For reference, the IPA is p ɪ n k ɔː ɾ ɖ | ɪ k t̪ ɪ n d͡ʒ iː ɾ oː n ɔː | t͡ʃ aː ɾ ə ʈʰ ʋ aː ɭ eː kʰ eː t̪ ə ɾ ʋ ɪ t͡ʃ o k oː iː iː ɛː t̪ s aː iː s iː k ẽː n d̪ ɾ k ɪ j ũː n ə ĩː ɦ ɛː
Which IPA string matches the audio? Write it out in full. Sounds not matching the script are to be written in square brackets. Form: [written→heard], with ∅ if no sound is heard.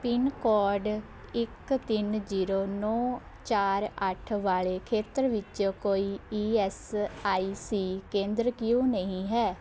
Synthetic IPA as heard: p ɪ n k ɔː ɾ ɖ | ɪ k t̪ ɪ n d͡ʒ iː ɾ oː n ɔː | t͡ʃ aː ɾ ə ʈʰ ʋ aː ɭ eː kʰ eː t̪ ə ɾ ʋ ɪ t͡ʃ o k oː iː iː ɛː [t̪→∅] s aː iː s iː k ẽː n d̪ ɾ k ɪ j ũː n ə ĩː ɦ ɛː